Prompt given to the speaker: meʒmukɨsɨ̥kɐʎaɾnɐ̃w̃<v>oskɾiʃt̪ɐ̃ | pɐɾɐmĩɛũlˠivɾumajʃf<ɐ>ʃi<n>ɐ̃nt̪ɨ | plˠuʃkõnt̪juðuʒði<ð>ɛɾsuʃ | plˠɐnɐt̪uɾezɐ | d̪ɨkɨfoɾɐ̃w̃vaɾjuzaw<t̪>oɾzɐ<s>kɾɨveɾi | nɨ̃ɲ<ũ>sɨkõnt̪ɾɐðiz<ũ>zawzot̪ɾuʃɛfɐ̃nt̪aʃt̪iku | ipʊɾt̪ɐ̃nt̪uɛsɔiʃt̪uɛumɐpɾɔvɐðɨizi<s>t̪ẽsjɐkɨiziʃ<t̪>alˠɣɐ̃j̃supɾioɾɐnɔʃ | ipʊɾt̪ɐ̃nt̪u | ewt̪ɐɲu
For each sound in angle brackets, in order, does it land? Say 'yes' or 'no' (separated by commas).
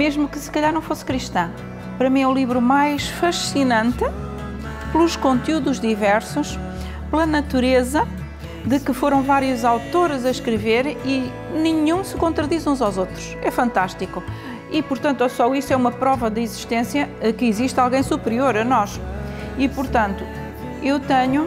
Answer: no, yes, yes, no, yes, no, yes, yes, no, yes